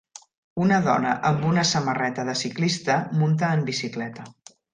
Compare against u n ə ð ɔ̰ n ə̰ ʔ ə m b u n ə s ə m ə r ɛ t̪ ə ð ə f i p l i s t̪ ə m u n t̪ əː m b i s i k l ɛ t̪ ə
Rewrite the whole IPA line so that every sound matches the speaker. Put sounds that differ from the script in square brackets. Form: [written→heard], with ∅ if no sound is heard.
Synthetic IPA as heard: u n ə ð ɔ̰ n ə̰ ʔ ə m b u n ə s ə m ə r ɛ t̪ ə ð ə [f→s] i [p→k] l i s t̪ ə m u n t̪ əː m b i s i k l ɛ t̪ ə